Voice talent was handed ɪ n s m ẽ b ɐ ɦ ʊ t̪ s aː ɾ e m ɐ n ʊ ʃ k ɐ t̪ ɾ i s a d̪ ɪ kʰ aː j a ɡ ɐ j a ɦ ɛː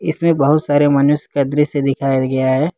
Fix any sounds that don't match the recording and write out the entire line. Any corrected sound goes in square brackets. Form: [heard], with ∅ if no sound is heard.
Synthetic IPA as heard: ɪ [∅] s m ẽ b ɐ ɦ ʊ t̪ s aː ɾ e m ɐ n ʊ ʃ k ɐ [d̪] ɾ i s [e] d̪ ɪ kʰ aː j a ɡ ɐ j a ɦ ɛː